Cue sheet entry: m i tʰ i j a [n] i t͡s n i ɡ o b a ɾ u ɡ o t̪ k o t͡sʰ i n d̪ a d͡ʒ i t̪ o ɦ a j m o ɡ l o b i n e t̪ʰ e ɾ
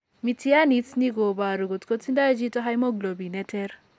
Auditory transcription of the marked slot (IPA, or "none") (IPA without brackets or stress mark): n